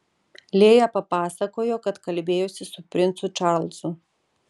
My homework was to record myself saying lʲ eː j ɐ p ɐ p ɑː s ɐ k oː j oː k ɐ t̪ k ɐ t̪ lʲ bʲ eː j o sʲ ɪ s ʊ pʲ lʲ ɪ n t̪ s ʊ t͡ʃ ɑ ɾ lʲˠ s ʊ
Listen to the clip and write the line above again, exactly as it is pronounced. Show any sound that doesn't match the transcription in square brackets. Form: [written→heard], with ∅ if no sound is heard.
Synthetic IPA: lʲ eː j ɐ p ɐ p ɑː s ɐ k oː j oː k ɐ t̪ k ɐ [t̪→∅] lʲ bʲ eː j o sʲ ɪ s ʊ pʲ [lʲ→ɾʲ] ɪ n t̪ s ʊ t͡ʃ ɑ ɾ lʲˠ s ʊ